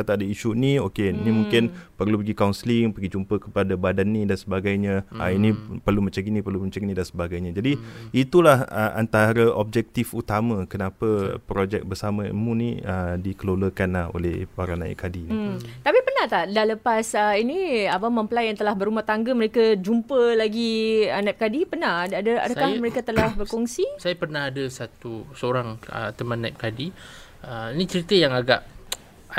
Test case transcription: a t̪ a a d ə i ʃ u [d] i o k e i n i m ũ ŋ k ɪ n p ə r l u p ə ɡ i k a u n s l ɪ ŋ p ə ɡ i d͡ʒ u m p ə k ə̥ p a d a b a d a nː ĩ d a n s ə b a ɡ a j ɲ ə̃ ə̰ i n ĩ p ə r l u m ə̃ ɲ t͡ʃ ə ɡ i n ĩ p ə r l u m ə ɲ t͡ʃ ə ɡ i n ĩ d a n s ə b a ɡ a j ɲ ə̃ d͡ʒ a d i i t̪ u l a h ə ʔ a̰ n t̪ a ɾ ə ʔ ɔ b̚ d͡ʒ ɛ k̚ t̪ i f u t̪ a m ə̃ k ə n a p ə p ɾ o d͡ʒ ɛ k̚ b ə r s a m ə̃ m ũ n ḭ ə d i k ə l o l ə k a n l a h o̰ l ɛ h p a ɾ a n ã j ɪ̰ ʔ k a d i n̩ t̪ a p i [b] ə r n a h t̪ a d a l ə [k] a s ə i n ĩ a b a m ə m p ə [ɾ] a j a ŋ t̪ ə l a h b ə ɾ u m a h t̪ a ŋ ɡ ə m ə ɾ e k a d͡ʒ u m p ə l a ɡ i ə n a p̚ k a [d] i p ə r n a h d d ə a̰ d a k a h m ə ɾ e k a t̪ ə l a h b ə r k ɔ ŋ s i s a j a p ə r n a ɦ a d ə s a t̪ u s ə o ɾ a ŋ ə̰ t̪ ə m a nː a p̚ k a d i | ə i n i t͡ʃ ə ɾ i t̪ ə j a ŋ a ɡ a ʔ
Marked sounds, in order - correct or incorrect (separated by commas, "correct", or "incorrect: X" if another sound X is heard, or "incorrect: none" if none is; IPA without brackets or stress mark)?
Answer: incorrect: n, incorrect: p, incorrect: p, incorrect: l, correct